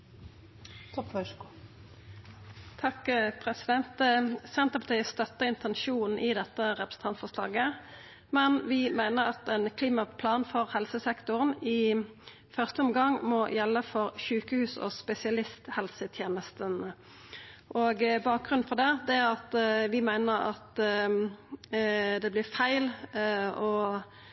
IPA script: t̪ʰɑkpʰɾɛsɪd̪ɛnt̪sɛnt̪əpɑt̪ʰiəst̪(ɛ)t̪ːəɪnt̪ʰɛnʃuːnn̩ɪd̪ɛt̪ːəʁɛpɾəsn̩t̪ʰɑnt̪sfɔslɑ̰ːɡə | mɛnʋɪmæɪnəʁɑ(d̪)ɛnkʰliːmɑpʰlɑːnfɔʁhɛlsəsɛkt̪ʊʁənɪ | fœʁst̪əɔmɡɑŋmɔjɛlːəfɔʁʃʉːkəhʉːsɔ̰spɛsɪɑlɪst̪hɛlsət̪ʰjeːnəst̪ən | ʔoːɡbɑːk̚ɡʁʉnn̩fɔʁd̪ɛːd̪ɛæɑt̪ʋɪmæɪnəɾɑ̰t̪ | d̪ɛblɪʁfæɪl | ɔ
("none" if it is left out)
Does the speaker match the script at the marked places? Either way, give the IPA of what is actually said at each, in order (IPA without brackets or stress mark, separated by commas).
œ, t̪